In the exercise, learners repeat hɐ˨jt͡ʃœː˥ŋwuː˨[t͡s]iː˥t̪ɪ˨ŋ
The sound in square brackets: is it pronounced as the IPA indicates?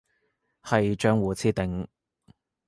no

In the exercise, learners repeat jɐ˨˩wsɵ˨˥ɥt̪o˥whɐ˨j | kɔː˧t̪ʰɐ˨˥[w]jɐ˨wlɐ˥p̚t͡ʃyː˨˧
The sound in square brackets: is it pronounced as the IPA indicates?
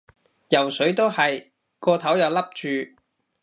yes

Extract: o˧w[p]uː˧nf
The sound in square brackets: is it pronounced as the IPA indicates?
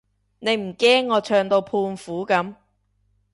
no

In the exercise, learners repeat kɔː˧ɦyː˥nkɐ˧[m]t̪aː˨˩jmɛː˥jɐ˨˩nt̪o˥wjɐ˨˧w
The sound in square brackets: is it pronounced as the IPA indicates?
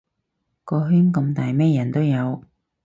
yes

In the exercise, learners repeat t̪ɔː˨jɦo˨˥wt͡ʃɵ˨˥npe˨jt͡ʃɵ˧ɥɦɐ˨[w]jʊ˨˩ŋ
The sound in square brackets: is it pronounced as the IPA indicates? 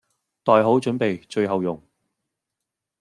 yes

